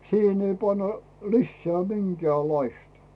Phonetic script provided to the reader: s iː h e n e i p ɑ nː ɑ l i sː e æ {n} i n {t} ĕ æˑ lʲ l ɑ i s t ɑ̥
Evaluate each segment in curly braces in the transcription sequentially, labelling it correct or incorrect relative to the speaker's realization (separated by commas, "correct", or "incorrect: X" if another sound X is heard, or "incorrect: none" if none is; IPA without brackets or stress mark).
incorrect: m, incorrect: k